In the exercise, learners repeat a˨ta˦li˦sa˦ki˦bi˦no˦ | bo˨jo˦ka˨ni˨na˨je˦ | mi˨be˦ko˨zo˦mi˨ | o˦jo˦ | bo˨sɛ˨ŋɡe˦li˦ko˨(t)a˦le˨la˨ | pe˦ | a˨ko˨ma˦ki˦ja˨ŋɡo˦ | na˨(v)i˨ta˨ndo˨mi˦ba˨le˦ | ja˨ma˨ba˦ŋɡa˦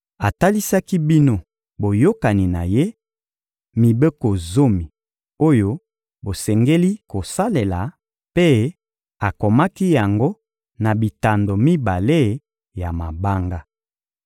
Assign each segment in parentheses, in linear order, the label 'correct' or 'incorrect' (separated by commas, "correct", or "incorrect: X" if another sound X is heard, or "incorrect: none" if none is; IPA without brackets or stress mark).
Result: incorrect: s, incorrect: b